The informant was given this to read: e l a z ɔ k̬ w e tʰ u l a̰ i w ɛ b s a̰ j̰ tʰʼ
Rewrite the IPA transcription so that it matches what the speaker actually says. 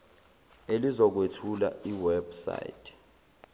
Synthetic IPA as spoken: e l i z ɔ k̬ w e tʰ u l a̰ i w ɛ b s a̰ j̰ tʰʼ